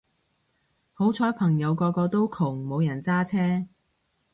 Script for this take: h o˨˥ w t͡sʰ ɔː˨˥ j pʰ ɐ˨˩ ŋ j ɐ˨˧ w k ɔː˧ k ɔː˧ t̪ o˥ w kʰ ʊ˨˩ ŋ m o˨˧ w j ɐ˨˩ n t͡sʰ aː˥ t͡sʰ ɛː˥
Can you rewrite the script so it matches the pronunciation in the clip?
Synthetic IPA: h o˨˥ w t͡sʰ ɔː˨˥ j pʰ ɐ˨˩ ŋ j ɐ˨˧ w k ɔː˧ k ɔː˧ t̪ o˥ w kʰ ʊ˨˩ ŋ m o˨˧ w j ɐ˨˩ n t͡s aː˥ t͡sʰ ɛː˥

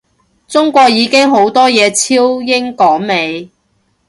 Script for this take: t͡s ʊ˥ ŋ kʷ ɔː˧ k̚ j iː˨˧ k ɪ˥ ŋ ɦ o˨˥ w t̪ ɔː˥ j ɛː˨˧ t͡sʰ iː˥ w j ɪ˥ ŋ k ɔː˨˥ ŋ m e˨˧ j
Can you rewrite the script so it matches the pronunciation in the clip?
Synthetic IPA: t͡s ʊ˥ ŋ kʷ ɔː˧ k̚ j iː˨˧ k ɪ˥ ŋ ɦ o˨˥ w t̪ ɔː˥ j ɛː˨˧ t͡sʰ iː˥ w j ɪ˥ ŋ k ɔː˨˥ ŋ m e˨˧ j

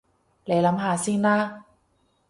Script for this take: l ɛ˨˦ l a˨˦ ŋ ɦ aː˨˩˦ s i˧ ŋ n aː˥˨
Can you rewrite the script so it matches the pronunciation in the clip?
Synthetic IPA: l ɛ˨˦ l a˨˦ m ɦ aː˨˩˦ s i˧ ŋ n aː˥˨

